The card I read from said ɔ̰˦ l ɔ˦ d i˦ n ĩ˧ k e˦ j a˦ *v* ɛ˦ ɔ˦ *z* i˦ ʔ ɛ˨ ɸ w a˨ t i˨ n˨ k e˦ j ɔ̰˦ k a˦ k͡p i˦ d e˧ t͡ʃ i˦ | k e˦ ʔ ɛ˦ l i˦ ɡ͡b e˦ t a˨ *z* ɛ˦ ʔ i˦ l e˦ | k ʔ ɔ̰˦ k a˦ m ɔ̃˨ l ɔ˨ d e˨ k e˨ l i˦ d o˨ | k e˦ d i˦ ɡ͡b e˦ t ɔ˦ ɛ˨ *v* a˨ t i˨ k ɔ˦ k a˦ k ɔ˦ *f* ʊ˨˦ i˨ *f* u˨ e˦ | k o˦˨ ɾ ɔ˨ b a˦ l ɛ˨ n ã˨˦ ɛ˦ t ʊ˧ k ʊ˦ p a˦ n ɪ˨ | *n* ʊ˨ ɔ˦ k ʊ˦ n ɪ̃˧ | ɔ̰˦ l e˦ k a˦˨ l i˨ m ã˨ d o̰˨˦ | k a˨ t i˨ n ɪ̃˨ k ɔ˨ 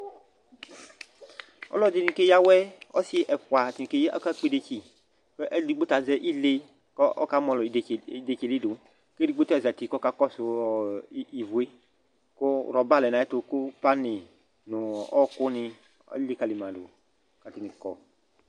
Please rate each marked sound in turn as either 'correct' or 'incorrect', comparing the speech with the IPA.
incorrect: w, incorrect: s, correct, incorrect: z, incorrect: s, incorrect: v, correct

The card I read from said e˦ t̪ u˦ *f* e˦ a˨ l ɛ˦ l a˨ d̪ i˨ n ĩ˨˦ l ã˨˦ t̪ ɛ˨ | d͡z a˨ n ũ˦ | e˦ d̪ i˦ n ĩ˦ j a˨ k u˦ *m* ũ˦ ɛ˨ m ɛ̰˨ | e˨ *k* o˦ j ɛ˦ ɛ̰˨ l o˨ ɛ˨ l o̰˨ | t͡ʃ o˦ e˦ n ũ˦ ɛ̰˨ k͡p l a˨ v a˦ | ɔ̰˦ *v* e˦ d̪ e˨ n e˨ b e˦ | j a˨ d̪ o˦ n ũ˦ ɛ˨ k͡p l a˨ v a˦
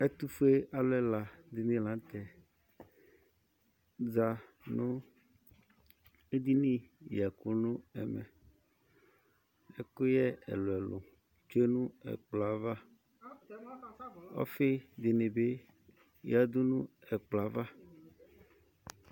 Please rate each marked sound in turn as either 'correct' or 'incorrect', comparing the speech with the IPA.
correct, incorrect: n, correct, incorrect: f

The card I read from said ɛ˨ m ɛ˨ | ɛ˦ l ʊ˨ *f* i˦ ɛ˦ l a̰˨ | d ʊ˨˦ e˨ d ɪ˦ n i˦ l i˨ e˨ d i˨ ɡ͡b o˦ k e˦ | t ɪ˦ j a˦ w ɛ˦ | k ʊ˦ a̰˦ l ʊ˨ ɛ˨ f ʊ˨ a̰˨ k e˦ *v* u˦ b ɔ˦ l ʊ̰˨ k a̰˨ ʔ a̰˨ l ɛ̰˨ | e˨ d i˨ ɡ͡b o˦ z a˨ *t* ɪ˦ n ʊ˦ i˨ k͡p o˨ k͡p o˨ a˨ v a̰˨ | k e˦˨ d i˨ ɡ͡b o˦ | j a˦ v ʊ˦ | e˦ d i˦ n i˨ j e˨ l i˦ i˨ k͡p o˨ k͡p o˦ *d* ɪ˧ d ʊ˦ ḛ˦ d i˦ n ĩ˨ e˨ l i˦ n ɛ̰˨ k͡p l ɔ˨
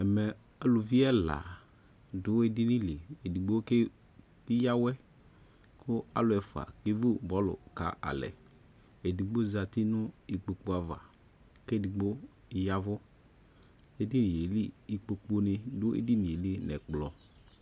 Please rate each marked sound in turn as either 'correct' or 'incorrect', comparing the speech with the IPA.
incorrect: v, correct, correct, incorrect: n

